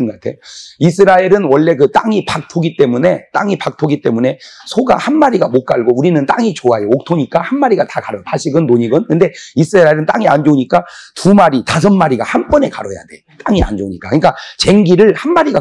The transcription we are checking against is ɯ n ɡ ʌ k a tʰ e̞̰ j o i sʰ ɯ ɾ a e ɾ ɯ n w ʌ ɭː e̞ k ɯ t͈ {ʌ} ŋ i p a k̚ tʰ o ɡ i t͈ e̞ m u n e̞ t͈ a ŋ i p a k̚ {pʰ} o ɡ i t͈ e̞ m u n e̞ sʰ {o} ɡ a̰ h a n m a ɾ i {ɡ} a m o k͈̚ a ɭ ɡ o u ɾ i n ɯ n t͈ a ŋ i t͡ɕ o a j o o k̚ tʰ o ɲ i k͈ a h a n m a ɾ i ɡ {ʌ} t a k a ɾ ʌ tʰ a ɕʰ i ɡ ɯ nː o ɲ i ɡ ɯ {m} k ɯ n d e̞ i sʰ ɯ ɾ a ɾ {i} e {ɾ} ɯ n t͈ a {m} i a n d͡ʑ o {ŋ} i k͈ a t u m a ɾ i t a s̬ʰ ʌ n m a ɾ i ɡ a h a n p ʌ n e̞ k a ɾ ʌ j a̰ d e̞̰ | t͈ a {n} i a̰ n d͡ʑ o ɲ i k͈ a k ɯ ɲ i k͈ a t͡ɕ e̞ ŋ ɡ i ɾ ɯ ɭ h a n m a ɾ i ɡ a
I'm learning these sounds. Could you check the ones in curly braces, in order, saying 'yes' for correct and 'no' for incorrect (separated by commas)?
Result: no, no, yes, yes, no, no, no, yes, no, no, no